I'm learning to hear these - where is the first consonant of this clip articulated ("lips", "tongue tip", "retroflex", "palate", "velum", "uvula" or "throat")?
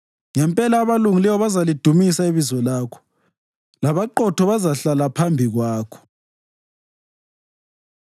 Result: velum